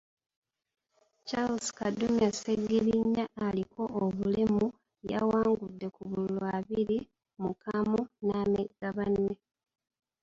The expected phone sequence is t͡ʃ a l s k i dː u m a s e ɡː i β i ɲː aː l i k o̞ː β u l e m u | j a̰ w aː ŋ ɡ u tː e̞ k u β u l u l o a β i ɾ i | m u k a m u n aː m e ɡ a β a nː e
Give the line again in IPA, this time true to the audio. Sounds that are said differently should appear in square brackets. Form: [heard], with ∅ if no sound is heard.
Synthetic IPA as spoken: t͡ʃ a l s k [a] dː u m a s e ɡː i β i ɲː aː l i k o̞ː β u l e m u | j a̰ w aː ŋ ɡ u [dː] e̞ k u β u l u l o a β i ɾ i | m u k a m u n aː m e ɡ a β a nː e